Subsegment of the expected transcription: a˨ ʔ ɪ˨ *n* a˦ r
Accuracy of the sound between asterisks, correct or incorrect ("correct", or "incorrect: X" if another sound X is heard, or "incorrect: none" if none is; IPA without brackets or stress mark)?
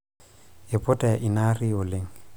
correct